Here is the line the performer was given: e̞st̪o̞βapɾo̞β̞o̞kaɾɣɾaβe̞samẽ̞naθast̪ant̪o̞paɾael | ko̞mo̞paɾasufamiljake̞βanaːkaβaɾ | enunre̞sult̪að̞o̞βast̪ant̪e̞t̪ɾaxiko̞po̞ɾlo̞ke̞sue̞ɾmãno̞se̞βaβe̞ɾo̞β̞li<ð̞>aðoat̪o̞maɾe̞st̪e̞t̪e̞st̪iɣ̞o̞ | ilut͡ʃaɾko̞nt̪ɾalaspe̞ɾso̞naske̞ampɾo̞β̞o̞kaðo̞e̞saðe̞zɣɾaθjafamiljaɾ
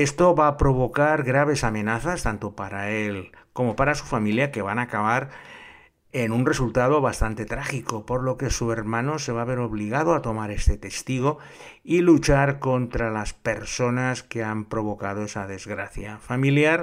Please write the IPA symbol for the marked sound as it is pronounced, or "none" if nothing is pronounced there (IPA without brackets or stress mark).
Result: ɣ̞